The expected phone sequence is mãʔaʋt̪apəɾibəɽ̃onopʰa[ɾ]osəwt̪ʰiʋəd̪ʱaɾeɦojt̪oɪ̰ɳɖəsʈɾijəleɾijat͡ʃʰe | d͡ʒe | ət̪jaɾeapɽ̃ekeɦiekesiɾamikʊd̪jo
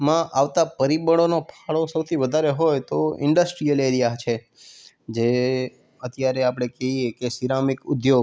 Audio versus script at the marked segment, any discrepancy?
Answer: yes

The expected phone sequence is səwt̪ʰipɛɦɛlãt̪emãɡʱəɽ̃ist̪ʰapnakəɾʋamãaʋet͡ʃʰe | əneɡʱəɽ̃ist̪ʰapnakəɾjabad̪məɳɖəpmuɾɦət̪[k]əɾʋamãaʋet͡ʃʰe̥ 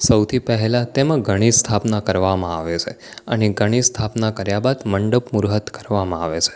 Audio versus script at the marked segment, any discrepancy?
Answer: no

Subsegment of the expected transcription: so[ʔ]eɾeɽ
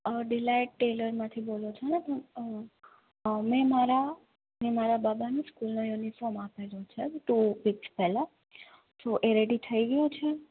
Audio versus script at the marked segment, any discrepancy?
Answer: no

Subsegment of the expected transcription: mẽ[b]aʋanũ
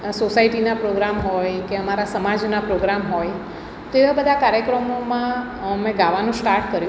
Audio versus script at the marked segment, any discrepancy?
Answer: yes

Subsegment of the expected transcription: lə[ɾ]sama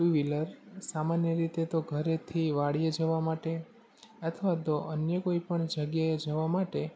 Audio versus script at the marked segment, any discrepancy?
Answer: no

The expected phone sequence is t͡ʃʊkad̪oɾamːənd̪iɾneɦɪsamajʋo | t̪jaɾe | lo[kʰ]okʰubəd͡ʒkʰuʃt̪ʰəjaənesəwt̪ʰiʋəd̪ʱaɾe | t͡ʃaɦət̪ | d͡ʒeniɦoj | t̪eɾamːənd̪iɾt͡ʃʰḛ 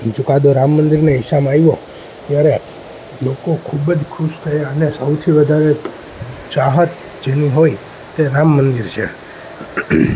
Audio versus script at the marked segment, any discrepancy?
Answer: yes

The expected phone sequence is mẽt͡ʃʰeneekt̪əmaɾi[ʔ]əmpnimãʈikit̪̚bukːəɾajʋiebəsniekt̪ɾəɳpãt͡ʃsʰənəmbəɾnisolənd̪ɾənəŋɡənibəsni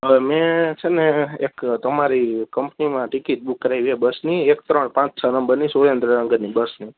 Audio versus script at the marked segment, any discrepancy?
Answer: yes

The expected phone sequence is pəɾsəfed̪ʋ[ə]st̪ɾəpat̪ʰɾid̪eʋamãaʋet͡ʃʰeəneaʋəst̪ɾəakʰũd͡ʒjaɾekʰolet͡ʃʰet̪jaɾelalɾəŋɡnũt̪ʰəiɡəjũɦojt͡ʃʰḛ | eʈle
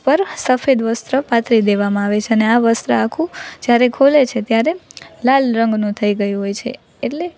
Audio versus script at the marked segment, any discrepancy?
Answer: no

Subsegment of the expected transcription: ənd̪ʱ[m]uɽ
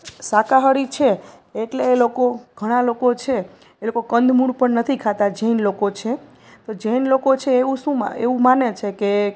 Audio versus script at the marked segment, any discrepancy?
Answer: no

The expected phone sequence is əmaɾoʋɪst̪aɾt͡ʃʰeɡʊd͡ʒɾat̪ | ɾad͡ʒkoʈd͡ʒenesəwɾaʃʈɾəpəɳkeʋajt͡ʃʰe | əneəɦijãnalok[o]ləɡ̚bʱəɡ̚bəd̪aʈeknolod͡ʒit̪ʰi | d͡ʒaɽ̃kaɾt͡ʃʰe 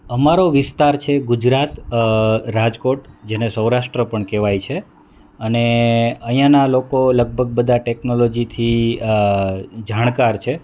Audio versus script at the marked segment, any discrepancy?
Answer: no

